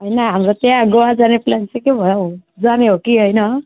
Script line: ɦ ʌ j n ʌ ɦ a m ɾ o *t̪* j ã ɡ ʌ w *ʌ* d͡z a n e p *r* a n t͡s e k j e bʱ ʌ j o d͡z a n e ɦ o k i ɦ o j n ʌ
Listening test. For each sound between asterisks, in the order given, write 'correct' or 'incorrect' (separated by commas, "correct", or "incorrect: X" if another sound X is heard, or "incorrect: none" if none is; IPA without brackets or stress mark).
correct, incorrect: a, incorrect: l